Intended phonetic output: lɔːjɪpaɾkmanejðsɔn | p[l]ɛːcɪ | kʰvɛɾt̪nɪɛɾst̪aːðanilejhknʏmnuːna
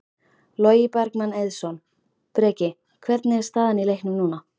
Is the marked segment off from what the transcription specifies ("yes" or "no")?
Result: yes